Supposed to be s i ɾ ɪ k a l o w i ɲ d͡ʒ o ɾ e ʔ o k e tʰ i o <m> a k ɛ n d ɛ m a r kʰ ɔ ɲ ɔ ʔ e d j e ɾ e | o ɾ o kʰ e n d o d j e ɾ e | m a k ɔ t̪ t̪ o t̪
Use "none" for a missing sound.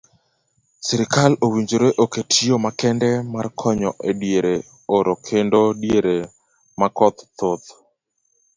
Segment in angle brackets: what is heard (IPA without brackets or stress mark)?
m